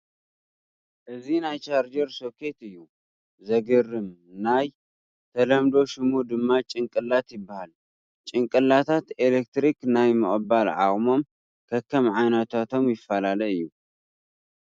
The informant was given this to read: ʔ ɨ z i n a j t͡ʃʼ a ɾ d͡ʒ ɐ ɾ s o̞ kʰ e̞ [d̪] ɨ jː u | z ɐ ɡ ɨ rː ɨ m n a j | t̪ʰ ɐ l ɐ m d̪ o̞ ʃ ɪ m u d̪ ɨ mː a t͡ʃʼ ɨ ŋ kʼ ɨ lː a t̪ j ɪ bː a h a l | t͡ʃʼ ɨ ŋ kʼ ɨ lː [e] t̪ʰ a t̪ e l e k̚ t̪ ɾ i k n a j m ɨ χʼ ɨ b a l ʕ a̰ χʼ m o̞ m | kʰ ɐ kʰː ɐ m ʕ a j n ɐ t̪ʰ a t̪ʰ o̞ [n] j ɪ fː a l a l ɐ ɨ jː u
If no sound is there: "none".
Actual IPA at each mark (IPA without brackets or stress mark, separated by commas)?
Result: t̪, a, m